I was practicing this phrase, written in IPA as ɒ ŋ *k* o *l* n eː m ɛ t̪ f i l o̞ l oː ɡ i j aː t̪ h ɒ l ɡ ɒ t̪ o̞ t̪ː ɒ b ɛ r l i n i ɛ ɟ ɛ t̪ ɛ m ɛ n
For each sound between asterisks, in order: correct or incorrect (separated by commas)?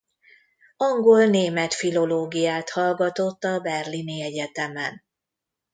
incorrect, correct